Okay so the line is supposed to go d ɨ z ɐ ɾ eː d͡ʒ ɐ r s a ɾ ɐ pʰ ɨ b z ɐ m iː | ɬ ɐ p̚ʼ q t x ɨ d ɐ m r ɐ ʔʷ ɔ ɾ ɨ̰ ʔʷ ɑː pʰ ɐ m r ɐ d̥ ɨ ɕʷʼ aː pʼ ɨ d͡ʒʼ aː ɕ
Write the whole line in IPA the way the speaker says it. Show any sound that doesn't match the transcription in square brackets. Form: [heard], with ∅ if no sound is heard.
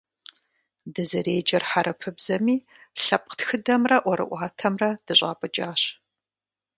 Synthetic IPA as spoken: d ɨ z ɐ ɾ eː d͡ʒ ɐ r [ħ] a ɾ ɐ pʰ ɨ b z ɐ m iː | ɬ ɐ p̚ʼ q t x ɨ d ɐ m r ɐ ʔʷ ɔ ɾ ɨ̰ ʔʷ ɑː [tʰ] ɐ m r ɐ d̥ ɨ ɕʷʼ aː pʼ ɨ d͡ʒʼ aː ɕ